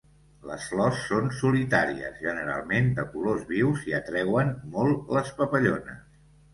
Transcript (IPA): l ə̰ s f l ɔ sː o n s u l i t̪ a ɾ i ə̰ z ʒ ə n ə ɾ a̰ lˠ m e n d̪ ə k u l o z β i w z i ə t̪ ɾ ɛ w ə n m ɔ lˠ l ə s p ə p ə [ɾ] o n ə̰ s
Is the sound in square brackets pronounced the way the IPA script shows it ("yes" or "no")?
no